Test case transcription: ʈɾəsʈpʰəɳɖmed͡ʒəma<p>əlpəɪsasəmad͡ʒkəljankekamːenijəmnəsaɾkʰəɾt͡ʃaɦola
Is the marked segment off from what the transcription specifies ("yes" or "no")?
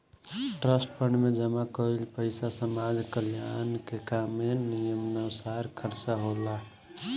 yes